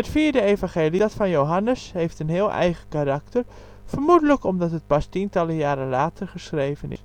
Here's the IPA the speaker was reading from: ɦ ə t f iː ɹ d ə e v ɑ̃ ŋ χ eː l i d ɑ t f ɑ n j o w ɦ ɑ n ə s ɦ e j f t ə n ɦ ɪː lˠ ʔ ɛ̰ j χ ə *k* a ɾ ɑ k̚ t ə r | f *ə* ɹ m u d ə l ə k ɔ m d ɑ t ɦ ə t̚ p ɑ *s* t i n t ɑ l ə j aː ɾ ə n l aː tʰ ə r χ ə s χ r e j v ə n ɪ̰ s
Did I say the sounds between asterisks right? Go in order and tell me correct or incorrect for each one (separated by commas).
correct, correct, correct